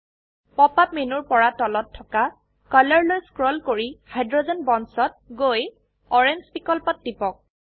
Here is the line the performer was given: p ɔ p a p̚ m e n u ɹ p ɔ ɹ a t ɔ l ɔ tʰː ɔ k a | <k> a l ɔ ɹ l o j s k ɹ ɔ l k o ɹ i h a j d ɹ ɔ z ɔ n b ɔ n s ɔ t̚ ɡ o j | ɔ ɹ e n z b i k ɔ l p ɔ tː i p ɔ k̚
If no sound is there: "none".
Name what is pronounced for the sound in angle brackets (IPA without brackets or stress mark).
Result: k